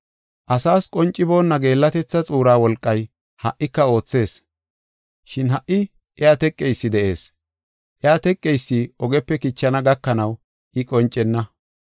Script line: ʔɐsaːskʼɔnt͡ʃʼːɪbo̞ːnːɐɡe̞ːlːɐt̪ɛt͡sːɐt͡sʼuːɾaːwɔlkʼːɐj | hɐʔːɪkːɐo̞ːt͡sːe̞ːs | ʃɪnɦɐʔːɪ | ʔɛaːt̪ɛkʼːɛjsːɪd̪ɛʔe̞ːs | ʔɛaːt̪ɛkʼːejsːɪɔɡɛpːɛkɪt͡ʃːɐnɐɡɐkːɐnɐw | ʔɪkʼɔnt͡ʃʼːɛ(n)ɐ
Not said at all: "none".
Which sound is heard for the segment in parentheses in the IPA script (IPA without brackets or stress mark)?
nː